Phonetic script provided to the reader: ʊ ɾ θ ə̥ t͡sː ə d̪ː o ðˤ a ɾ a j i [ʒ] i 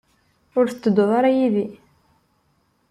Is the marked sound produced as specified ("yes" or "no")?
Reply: no